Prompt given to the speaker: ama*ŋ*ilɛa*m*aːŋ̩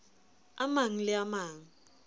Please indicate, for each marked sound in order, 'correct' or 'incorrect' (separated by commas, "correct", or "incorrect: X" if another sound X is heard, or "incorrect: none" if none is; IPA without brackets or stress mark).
correct, correct